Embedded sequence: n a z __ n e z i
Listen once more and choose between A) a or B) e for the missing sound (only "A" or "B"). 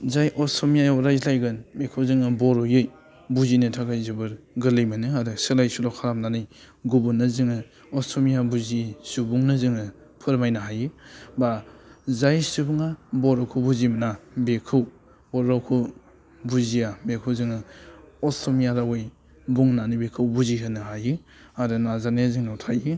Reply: A